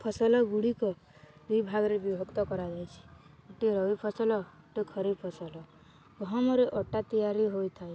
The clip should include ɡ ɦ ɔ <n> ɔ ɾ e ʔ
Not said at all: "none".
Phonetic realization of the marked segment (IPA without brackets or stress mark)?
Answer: m